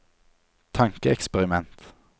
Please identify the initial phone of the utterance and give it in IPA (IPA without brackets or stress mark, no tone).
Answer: t̪ʰ